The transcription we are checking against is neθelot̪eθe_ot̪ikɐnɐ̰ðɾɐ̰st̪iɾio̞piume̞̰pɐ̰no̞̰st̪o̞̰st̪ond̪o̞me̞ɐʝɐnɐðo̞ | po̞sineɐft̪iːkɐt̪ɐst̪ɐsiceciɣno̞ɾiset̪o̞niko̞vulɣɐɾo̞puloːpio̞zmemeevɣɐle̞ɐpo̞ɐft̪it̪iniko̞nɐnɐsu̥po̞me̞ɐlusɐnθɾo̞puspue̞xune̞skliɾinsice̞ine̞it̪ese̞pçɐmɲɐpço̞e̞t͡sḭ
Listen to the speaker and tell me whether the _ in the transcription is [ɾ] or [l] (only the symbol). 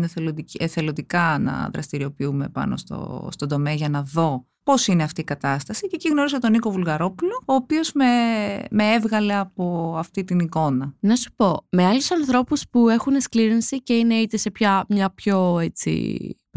l